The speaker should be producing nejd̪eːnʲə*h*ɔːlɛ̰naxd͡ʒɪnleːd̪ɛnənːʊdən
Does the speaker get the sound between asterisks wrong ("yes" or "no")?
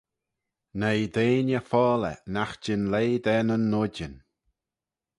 yes